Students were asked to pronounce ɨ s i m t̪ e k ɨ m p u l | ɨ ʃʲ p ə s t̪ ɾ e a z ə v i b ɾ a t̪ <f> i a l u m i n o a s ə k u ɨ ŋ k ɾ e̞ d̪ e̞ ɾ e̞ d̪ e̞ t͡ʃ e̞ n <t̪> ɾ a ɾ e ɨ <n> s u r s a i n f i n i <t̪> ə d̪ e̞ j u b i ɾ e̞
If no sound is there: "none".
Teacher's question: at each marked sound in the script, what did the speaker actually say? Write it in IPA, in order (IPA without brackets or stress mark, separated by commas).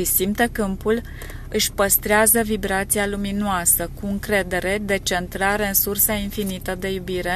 s, t̪, n, t̪